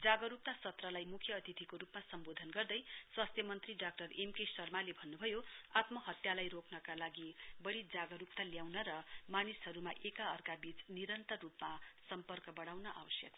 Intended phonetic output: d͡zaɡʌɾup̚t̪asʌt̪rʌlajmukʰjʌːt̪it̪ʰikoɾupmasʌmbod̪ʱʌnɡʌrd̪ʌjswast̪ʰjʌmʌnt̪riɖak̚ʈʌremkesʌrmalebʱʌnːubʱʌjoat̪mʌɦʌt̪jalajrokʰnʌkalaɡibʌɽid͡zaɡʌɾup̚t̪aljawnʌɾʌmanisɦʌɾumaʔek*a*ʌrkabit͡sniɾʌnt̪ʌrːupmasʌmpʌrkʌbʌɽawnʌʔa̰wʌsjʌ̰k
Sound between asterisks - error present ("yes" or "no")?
no